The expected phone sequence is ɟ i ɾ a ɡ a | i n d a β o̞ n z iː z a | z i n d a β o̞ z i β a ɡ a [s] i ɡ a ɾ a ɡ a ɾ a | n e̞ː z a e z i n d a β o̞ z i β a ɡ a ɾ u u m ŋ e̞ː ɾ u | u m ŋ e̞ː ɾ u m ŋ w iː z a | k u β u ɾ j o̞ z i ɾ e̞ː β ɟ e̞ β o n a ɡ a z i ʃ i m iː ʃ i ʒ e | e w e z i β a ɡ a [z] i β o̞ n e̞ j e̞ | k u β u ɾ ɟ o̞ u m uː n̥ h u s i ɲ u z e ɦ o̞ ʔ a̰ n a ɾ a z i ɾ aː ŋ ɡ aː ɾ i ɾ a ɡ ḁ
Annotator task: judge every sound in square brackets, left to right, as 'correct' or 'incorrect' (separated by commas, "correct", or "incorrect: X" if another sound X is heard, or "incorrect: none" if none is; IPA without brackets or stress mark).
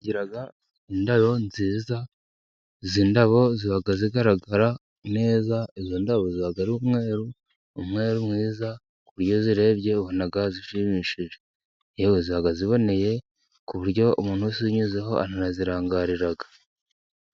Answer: incorrect: z, correct